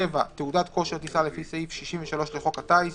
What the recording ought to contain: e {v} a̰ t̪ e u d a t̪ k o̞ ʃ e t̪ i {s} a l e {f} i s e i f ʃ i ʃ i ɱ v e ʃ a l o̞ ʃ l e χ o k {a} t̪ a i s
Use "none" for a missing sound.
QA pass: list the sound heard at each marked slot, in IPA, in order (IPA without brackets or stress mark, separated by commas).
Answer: v, s, f, a